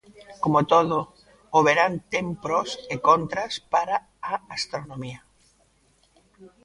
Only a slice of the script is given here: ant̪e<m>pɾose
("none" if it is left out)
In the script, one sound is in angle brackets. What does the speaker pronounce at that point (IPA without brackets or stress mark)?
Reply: m